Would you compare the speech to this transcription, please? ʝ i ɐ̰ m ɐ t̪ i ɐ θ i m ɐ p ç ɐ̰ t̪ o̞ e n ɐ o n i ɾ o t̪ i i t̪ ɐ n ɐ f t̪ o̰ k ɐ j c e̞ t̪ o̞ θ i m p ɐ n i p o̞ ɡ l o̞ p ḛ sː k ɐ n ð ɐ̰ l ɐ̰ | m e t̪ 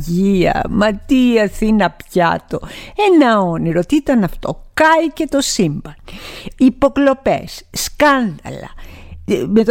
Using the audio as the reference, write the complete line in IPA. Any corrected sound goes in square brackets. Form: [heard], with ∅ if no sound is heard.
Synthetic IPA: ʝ i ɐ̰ m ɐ t̪ i ɐ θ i [n] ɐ p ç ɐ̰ t̪ o̞ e n ɐ o n i ɾ o t̪ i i t̪ ɐ n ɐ f t̪ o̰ k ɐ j c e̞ t̪ o̞ [s] i m [b] ɐ n i p o̞ [k] l o̞ p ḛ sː k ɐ n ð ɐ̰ l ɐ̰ | m e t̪